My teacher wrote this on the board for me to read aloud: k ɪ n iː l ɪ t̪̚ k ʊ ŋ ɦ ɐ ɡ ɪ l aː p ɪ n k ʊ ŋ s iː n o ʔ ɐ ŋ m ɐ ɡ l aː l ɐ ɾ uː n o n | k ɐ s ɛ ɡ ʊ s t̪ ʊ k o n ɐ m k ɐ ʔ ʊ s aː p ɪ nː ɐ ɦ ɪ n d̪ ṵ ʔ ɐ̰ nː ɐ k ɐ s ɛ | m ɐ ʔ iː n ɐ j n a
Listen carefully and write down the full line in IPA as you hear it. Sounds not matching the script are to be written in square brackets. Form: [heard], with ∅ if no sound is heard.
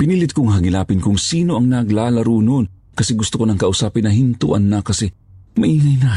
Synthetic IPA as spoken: [p] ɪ n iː l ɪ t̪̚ k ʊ ŋ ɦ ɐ ɡ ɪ l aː p ɪ n k ʊ ŋ s iː n o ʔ ɐ ŋ [n] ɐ ɡ l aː l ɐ ɾ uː n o n | k ɐ s ɛ ɡ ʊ s t̪ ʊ k o n ɐ [ŋ] k ɐ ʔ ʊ s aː p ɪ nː ɐ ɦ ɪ n [t̪] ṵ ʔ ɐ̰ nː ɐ k ɐ s ɛ | m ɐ ʔ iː [ŋ] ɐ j n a